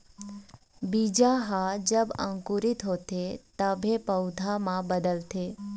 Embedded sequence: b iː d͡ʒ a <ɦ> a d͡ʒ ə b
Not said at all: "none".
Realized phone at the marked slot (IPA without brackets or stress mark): ɦ